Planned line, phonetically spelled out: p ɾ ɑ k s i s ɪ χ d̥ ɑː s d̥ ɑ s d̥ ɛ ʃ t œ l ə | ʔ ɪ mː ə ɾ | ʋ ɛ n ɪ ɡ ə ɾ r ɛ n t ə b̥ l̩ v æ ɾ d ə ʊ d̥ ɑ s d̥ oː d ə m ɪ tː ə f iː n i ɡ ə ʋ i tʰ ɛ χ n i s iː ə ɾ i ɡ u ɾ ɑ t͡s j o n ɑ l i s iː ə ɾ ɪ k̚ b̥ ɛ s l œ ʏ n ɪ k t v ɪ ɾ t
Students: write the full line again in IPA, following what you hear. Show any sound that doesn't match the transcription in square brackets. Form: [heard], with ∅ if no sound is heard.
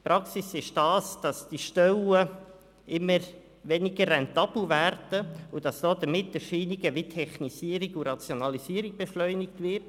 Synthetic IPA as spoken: p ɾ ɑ k s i s ɪ [ʃ] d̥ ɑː s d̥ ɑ s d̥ [i] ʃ t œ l ə | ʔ ɪ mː ə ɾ | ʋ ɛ n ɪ ɡ ə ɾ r ɛ n t [ɑ] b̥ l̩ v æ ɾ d ə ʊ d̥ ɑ s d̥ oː d ə m ɪ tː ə [ʃ] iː n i ɡ ə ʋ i tʰ ɛ χ n i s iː ə ɾ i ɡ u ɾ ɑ t͡s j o n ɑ l i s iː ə ɾ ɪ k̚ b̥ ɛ [ʃ] l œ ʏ n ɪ k t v ɪ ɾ t